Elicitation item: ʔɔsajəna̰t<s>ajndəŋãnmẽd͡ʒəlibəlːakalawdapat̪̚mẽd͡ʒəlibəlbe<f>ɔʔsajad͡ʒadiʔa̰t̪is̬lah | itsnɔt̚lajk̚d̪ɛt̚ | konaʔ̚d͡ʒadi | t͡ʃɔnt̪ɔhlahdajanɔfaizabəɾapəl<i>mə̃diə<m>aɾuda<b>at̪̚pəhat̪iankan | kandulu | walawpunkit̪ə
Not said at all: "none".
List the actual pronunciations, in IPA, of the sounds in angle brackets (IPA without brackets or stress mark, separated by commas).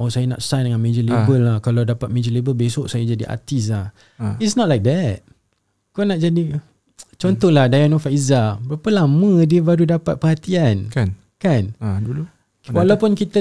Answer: s, s, a, b, p